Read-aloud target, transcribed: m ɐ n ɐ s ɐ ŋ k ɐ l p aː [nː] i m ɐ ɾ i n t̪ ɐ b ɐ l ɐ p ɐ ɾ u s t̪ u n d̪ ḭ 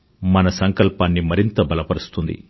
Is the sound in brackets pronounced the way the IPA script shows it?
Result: yes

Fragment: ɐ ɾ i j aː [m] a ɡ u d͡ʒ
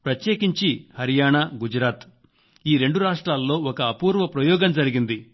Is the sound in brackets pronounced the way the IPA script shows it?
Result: no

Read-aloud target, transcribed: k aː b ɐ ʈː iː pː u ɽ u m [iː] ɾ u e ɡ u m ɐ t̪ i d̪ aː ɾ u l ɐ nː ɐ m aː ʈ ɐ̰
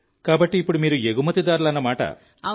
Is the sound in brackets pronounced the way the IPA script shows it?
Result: yes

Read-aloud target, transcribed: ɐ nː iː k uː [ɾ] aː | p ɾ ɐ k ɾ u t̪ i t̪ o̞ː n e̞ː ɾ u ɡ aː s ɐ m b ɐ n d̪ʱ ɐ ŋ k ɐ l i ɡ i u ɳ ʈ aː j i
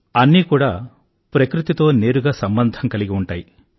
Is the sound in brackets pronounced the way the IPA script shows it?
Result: no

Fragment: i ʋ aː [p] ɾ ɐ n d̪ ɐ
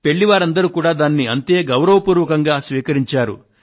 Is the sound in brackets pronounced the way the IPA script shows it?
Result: no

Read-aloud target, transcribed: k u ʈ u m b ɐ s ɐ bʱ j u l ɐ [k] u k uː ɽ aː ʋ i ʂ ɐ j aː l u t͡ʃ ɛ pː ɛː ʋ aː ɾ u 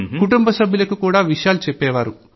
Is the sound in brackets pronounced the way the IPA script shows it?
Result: yes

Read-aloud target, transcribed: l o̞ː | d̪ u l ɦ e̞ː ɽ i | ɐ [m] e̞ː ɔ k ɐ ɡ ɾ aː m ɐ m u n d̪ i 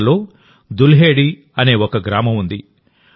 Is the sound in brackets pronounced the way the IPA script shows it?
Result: no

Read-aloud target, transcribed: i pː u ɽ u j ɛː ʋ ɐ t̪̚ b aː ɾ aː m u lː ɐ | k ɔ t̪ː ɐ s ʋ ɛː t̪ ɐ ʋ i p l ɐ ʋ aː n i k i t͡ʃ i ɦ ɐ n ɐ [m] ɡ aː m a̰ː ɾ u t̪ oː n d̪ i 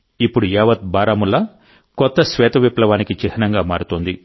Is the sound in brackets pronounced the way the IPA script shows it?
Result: no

